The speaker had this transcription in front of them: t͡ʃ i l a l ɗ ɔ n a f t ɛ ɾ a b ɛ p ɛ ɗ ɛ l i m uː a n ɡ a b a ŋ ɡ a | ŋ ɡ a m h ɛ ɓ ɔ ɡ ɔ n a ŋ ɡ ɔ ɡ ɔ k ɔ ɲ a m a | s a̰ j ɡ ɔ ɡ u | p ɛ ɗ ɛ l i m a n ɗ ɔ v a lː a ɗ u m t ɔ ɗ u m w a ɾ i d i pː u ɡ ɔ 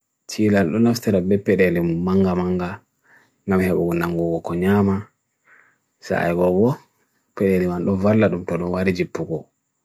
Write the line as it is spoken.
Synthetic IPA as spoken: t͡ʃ i l a l ɗ ɔ n a f t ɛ ɾ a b ɛ p ɛ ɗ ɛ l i m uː a ŋ ɡ a m a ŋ ɡ a | ŋ ɡ a m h ɛ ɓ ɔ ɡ ɔ n a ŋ ɡ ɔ ɡ ɔ k ɔ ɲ a m a | s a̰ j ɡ ɔ ɡ ɔ | p ɛ ɗ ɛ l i m a n ɗ ɔ v a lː a ɗ u m t ɔ ɗ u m w a ɾ i d͡ʒ i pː u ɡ ɔ